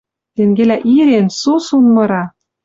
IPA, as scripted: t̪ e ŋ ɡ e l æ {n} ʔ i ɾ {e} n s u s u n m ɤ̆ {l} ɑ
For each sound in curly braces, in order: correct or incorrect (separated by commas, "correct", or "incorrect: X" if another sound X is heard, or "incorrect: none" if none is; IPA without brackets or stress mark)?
incorrect: none, correct, incorrect: ɾ